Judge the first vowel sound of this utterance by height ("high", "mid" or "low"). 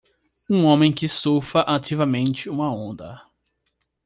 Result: high